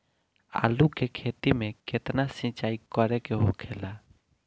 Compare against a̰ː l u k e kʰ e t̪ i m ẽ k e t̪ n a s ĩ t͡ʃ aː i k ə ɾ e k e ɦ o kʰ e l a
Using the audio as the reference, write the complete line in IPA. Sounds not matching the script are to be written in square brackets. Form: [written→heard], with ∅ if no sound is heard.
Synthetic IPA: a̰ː l u k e kʰ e t̪ i m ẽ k e t̪ n a s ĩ t͡ʃ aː i k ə ɾ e k e ɦ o kʰ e l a